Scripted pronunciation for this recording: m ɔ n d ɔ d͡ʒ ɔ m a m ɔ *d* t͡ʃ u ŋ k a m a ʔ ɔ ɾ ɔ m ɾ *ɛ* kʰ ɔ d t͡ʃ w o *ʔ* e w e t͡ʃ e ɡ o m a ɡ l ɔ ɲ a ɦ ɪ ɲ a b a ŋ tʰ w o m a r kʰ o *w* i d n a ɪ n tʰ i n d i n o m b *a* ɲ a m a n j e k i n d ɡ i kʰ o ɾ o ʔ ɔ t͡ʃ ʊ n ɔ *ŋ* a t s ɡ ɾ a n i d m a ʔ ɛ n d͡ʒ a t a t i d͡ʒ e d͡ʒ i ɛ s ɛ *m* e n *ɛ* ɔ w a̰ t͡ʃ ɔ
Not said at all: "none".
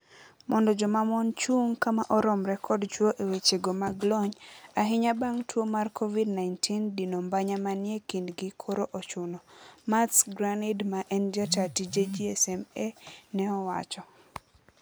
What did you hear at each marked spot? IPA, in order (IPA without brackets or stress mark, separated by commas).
n, ɛ, ʔ, v, a, m, m, ɛ